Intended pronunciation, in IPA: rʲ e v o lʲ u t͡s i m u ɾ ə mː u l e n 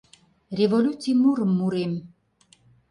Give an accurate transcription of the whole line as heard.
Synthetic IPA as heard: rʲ e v o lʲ u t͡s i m u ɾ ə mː u ɾ e m